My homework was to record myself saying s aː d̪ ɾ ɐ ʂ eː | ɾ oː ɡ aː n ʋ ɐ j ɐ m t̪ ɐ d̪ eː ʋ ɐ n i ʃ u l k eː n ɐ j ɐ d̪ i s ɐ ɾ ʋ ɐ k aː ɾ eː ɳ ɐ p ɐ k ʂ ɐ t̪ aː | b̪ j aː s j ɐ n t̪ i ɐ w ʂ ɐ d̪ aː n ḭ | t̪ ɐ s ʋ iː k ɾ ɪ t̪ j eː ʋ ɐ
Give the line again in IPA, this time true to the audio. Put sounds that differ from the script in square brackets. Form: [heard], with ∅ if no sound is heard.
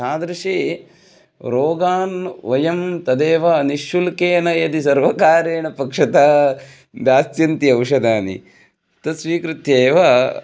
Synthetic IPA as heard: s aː d̪ ɾ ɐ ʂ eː | ɾ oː ɡ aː n ʋ ɐ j ɐ m t̪ ɐ d̪ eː ʋ ɐ n i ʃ u l k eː n ɐ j ɐ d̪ i s ɐ ɾ ʋ ɐ k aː ɾ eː ɳ ɐ p ɐ k ʂ ɐ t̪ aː | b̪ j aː s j ɐ n t̪ i ɐ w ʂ ɐ d̪ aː n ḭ | t̪ ɐ s ʋ iː k ɾ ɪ t̪ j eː ʋ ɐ